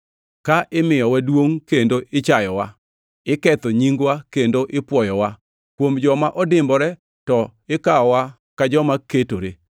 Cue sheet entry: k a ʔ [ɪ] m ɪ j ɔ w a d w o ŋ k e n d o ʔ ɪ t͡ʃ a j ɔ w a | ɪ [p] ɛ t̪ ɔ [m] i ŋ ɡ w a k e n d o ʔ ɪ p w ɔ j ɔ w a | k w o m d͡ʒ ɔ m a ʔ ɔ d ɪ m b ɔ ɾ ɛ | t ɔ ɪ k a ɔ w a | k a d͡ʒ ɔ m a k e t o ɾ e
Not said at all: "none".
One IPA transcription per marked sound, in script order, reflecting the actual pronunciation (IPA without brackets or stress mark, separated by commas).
ɪ, k, ɲ